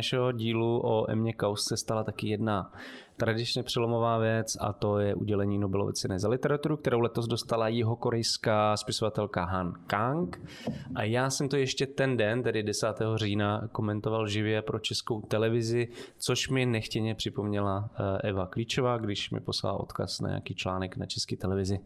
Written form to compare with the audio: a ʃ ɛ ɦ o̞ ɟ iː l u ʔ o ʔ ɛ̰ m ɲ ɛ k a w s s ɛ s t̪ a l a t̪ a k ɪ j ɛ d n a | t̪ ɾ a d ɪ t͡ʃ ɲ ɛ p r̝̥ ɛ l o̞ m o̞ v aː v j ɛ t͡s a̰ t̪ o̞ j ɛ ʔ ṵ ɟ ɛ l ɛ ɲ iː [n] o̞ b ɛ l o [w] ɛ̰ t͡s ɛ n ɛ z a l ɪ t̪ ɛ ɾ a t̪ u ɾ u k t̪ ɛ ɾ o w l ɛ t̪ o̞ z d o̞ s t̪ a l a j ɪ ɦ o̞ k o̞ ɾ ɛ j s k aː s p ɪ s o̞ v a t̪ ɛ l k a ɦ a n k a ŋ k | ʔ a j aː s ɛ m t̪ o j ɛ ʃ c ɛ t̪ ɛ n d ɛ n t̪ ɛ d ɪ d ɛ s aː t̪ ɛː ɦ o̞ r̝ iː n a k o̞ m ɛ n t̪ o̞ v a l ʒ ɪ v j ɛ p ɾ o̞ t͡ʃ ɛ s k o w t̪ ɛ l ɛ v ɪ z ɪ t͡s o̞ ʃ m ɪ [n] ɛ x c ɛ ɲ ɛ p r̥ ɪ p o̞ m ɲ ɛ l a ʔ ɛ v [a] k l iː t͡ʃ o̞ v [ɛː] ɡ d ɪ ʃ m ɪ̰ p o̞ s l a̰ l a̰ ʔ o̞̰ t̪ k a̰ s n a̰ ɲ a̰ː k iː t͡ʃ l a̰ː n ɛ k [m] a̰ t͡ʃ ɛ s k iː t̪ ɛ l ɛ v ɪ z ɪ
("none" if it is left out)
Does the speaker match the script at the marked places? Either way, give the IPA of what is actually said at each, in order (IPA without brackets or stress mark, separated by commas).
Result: n, v, n, a, aː, n